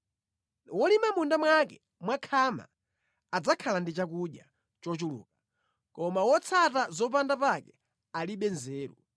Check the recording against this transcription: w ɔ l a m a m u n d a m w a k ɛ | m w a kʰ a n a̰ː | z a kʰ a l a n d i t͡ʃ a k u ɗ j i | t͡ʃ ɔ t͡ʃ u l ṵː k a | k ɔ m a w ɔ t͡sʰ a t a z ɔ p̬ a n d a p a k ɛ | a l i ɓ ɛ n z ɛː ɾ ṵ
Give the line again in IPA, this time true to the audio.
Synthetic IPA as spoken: w ɔ l i m a m u n d a m w a k ɛ | m w a kʰ a m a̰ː | d͡z a kʰ a l a n d i t͡ʃ a k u ɗ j a | t͡ʃ ɔ t͡ʃ u l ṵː k a | k ɔ m a w ɔ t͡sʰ a t a z ɔ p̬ a n d a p a k ɛ | a l i ɓ ɛ n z ɛː ɾ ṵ